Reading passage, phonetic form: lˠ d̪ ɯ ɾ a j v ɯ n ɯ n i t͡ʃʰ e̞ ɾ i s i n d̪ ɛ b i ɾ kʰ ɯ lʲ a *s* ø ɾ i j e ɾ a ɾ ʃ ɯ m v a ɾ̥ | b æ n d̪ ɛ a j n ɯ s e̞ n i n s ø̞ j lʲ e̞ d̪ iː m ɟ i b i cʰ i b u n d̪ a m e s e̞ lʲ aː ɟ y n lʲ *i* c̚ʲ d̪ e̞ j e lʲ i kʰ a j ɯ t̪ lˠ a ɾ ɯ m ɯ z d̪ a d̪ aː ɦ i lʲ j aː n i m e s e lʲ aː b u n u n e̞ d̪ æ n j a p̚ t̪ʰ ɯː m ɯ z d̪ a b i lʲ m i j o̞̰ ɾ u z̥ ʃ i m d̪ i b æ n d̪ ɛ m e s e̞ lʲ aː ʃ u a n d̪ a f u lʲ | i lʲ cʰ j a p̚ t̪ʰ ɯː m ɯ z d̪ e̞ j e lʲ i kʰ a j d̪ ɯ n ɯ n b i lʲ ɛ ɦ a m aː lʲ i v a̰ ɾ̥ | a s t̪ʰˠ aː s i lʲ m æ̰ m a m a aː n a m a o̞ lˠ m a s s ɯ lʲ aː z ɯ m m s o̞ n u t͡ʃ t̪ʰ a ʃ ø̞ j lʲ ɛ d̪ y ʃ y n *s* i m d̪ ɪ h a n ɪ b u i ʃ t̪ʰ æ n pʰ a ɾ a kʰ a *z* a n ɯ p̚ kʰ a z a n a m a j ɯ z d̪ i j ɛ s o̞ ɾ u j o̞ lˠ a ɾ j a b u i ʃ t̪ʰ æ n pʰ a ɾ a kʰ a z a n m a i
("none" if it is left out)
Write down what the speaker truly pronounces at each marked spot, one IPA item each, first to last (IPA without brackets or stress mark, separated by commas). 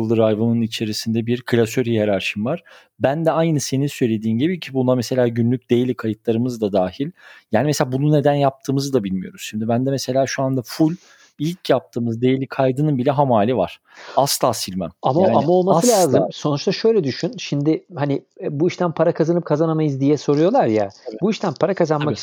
s, y, ʃ, z